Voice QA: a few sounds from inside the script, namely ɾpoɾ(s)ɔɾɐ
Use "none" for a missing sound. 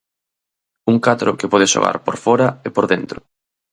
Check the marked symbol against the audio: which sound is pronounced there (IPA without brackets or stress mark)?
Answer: f